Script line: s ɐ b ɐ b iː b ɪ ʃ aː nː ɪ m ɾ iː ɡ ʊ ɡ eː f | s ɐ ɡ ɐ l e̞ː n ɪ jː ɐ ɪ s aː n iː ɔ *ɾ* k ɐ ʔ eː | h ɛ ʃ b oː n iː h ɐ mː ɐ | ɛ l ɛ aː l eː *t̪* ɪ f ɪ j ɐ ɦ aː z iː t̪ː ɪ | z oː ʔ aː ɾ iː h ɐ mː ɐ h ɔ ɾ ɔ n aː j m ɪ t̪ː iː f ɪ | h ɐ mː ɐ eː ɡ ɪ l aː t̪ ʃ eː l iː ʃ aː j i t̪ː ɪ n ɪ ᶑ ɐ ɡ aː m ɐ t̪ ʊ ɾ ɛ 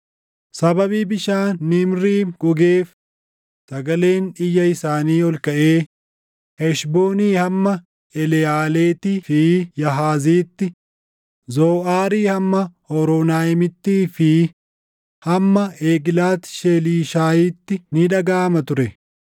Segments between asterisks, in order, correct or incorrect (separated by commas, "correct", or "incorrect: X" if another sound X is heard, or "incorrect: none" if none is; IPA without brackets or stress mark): incorrect: l, correct